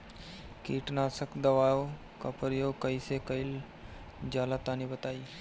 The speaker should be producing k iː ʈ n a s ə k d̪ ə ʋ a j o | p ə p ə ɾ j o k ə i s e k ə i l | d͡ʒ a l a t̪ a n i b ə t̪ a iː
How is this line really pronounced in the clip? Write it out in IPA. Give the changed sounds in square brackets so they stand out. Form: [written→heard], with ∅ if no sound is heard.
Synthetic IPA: k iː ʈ n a s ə k d̪ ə ʋ a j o | [p→k] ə p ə ɾ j o k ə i s e k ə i l | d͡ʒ a l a t̪ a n i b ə t̪ a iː